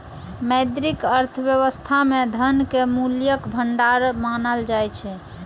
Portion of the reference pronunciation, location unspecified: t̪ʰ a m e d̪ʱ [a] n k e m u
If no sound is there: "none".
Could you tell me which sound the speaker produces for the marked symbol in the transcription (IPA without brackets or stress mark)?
ə